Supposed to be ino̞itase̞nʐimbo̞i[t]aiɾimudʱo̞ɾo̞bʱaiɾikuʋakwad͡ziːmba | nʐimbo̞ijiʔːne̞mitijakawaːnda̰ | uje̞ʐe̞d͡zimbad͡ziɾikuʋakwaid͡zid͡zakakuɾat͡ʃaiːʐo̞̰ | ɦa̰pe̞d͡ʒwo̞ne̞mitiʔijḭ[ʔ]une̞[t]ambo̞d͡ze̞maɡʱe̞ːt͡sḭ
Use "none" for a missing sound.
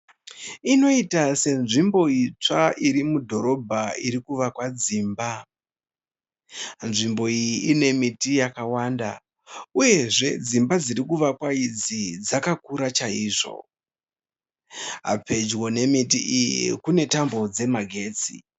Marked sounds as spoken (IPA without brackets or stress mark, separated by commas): t͡ʂ, k, t